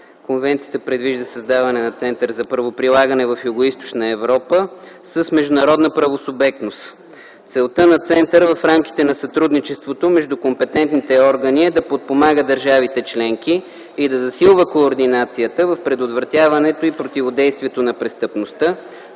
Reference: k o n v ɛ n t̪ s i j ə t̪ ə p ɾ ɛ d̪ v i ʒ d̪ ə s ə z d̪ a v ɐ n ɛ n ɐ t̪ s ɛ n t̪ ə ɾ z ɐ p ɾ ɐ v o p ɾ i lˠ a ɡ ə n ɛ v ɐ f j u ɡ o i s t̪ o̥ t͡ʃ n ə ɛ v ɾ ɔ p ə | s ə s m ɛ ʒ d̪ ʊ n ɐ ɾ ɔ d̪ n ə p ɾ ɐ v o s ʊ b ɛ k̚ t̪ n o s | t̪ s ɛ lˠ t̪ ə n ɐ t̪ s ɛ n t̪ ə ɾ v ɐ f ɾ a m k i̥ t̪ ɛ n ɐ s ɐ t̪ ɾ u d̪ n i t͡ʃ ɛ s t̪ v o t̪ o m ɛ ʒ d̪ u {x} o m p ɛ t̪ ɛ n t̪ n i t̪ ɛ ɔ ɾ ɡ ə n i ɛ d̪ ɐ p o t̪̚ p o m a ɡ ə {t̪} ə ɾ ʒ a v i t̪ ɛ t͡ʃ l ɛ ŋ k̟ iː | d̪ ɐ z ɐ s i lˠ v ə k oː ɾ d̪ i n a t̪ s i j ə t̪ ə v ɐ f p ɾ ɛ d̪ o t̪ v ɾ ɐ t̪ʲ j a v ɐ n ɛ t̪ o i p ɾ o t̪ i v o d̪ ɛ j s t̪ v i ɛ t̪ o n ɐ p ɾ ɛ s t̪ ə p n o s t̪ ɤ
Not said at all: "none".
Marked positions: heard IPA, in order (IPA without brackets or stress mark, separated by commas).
k, d̪